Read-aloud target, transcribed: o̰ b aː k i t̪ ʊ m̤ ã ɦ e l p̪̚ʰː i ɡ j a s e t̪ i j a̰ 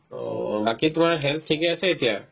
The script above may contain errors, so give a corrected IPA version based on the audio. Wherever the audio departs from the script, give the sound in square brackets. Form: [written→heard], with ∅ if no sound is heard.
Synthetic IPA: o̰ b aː k i t̪ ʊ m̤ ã ɦ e l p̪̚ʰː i ɡ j a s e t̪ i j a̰